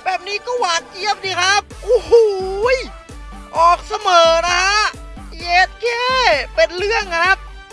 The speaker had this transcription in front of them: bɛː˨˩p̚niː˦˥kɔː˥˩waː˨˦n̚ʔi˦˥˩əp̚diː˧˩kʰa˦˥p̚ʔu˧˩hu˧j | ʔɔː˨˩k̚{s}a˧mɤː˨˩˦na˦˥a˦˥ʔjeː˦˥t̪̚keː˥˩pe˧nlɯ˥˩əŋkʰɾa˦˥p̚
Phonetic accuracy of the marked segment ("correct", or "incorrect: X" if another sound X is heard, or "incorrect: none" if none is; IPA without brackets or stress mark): correct